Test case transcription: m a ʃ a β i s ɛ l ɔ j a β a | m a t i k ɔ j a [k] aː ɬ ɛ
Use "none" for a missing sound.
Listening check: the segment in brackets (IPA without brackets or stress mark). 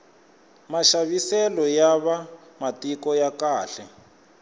k